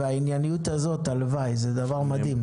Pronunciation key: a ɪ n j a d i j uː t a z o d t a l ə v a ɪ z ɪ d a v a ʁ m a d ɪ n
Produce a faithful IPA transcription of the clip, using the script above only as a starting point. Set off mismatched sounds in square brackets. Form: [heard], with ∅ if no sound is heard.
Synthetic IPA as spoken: a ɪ n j a [n] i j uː t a z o [∅] t a l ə v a ɪ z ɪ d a v a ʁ m a d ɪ [m]